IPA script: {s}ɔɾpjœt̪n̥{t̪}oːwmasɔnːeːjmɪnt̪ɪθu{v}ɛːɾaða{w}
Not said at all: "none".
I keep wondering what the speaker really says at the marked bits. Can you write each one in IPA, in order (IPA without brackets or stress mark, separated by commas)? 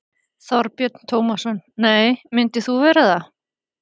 θ, t̪ʰ, v, none